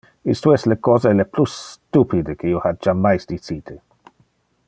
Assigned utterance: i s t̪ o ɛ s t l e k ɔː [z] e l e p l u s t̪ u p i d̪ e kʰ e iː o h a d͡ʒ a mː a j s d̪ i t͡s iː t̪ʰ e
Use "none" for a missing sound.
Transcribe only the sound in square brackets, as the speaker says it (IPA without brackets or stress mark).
z